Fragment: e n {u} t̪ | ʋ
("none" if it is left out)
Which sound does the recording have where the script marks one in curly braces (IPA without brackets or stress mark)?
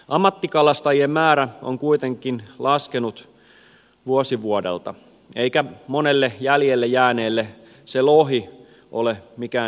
u